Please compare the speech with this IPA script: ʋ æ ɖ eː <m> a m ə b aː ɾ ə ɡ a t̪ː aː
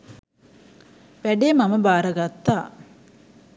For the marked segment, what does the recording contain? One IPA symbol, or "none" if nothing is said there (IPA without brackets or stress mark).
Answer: m